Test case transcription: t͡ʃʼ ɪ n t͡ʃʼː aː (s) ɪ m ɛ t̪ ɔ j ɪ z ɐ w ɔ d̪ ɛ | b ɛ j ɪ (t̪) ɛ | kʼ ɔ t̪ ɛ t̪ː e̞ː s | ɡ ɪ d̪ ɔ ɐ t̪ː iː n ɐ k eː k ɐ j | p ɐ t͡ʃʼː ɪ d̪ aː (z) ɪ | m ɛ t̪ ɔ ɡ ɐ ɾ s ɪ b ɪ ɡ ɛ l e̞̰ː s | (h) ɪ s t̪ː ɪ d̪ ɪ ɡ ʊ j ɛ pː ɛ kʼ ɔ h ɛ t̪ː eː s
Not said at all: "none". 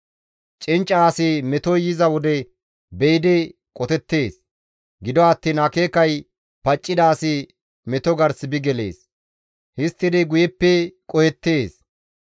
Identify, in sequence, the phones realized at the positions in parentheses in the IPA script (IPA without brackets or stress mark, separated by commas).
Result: s, d̪, s, h